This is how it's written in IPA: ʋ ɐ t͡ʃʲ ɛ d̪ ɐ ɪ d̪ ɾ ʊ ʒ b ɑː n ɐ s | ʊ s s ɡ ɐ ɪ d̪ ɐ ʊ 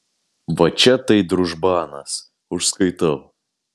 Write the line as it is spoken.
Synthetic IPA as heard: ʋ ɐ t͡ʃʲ ɛ t̪ ɐ ɪ d̪ ɾ ʊ ʒ b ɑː n ɐ s | ʊ ʃ s k ɐ ɪ t̪ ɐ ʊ